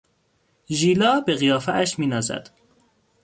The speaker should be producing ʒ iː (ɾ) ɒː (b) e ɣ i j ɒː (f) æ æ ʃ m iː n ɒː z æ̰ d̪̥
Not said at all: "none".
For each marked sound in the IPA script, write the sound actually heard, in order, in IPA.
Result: l, b, f

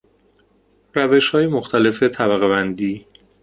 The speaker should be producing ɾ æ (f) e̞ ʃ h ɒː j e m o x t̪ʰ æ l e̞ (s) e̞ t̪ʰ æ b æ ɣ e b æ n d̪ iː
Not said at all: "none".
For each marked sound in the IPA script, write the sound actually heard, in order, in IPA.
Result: v, f

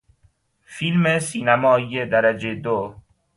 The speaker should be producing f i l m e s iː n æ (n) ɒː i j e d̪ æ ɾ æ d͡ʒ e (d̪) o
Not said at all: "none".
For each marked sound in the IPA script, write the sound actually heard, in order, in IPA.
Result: m, d̪

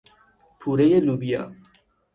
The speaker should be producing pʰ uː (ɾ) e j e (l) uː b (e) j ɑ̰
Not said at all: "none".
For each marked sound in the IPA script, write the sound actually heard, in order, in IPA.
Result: ɾ, l, i

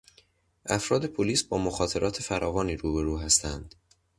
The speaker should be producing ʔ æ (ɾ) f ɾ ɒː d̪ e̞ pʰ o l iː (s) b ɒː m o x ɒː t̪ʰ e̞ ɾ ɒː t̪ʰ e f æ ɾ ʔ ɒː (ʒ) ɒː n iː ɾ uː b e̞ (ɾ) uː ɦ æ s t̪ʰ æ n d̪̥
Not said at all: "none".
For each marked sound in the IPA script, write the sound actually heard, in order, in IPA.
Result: none, s, v, ɾ

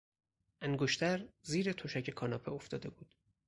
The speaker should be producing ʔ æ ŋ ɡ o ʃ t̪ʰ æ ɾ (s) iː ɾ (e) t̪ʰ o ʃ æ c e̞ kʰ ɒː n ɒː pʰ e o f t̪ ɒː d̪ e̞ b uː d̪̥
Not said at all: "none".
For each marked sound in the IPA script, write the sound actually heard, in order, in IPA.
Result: z, e

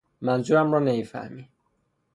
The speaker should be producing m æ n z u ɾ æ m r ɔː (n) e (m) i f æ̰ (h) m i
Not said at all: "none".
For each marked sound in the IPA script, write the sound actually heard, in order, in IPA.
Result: n, m, h

